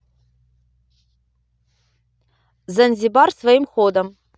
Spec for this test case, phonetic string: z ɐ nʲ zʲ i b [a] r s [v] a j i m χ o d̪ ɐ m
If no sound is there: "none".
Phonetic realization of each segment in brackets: a, v

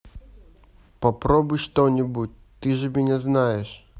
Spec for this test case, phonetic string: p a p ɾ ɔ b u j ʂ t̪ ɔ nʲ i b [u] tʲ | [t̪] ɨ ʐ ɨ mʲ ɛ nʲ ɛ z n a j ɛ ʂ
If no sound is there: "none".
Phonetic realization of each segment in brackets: u, t̪

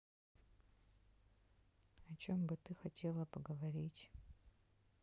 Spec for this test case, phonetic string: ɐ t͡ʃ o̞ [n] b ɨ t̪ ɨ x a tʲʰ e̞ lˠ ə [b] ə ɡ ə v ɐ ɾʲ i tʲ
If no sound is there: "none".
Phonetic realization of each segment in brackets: m, p

